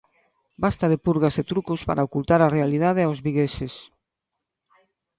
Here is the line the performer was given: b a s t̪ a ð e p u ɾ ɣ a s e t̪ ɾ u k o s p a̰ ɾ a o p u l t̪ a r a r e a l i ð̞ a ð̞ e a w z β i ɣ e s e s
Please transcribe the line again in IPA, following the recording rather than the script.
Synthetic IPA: b a s t̪ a ð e p u ɾ ɣ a s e t̪ ɾ u k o s p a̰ ɾ a o k u l t̪ a ɾ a r e a l i ð̞ a ð̞ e a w z β i ɣ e s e s